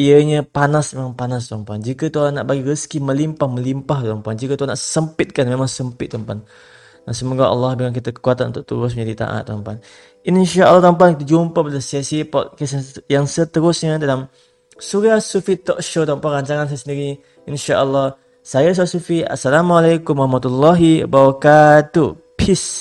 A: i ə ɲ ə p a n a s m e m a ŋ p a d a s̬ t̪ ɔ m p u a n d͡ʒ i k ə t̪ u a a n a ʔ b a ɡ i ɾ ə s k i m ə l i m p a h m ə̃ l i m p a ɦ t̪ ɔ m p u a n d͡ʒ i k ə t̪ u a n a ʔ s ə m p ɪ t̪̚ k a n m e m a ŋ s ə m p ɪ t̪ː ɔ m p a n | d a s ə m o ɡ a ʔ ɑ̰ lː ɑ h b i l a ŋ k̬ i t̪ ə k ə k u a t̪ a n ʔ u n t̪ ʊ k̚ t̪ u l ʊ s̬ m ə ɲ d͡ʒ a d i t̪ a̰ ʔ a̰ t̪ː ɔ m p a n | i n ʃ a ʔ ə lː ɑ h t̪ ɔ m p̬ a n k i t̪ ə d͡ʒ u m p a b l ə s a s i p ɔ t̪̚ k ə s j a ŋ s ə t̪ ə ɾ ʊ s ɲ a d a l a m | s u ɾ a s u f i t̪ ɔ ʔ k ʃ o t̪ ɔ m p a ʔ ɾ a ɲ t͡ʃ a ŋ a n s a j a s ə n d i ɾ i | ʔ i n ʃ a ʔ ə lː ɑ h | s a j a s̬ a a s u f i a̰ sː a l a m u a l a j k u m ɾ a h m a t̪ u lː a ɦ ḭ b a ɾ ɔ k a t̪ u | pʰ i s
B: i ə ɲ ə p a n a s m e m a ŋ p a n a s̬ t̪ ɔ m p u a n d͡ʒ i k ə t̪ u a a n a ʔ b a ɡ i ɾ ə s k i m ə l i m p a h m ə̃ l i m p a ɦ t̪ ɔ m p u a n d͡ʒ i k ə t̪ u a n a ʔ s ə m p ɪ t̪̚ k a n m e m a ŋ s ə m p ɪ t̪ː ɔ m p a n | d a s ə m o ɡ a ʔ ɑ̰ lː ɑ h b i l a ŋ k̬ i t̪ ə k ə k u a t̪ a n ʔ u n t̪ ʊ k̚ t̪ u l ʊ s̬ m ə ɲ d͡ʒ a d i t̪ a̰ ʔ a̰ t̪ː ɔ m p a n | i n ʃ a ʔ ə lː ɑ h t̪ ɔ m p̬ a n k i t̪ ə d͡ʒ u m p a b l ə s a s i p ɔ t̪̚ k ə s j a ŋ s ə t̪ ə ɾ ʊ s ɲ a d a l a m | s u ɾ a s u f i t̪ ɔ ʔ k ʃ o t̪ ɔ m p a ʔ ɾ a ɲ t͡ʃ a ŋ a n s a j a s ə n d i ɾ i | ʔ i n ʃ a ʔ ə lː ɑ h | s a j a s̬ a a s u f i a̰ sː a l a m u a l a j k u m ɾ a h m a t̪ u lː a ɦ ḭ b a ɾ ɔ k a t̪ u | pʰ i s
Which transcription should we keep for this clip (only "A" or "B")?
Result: B